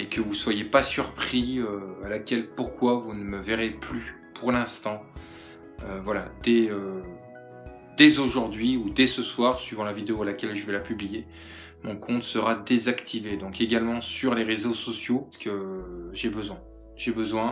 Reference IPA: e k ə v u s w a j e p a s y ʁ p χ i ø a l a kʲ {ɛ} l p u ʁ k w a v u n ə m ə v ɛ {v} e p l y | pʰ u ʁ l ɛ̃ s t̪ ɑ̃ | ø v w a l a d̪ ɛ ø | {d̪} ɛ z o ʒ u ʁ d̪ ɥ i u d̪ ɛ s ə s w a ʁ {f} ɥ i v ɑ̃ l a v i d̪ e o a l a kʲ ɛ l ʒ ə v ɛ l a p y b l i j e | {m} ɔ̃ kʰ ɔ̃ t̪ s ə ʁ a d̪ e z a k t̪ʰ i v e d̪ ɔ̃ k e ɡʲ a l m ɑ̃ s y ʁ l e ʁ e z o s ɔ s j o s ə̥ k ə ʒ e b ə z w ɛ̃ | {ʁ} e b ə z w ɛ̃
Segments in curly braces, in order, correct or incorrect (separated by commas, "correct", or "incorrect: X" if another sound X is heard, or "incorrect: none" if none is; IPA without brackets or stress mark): correct, incorrect: ʁ, correct, incorrect: s, correct, incorrect: ʒ